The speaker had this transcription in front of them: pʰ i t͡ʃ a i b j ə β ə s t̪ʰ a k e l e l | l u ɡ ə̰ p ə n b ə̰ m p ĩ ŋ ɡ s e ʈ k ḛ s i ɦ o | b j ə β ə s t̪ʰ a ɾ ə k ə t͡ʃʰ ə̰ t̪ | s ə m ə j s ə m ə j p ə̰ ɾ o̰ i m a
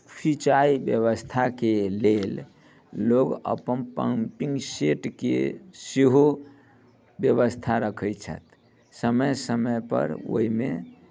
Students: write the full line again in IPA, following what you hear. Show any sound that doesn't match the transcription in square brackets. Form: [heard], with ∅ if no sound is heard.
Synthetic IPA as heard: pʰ i t͡ʃ a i b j ə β ə s t̪ʰ a k e l e l | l [o] ɡ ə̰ p ə n [p] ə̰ m p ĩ ŋ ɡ s e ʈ k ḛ s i ɦ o | b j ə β ə s t̪ʰ a ɾ ə [kʰ] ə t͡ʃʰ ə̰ t̪ | s ə m ə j s ə m ə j p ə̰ ɾ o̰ i m [e]